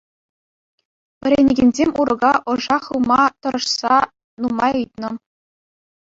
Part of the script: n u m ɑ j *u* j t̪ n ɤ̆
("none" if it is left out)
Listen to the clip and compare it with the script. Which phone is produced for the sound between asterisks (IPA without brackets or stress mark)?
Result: ɯ